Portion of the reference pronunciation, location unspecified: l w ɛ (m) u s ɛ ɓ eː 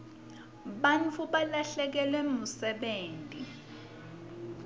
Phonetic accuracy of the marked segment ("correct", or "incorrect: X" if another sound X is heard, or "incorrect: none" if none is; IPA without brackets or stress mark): correct